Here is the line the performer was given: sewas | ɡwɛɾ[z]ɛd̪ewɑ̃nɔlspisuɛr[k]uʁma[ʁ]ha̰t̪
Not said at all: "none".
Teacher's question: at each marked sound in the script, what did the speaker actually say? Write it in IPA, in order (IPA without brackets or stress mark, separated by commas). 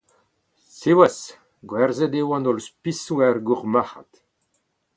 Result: z, ɡ, none